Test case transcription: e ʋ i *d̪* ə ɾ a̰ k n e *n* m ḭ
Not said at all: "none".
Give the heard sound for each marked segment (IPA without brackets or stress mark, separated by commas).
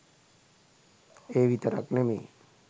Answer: t̪, none